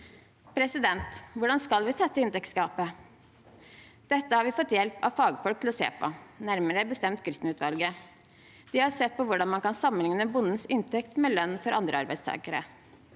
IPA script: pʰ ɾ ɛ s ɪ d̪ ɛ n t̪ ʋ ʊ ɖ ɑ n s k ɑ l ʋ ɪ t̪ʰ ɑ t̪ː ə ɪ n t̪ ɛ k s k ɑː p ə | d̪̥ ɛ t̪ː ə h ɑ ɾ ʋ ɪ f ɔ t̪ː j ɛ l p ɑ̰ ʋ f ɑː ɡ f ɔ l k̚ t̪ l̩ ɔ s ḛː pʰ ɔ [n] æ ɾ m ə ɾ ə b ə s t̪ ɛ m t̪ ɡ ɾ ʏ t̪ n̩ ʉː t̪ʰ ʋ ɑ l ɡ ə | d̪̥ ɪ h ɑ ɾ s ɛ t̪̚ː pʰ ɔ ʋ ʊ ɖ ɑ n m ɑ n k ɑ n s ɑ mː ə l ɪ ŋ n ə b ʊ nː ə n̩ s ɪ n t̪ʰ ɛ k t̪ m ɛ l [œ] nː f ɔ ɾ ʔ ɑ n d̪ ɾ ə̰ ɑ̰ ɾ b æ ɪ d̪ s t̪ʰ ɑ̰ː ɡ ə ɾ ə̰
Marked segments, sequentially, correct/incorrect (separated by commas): correct, correct